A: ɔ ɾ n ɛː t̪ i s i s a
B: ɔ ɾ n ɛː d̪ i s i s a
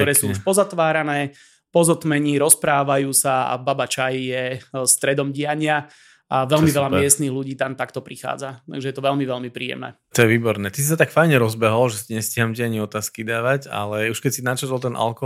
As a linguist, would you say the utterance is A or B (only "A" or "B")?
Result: A